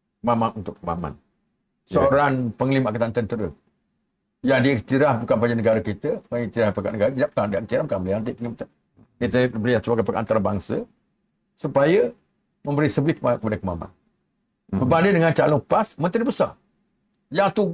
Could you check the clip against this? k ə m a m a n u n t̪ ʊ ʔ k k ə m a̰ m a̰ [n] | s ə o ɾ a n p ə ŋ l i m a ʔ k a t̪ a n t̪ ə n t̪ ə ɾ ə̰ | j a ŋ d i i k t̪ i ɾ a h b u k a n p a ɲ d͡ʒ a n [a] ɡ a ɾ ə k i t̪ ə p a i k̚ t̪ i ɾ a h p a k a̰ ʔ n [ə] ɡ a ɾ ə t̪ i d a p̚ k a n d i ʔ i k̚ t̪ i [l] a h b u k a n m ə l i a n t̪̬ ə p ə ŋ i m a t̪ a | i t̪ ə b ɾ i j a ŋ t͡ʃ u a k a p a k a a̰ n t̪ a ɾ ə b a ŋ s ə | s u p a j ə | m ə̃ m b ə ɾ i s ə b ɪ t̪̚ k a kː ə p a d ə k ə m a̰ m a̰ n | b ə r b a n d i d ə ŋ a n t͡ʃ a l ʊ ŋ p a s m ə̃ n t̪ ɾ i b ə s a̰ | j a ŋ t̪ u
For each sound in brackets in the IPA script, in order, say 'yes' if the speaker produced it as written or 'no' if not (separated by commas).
yes, no, yes, no